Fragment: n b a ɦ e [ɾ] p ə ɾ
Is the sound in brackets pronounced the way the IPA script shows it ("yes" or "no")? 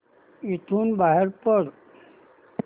yes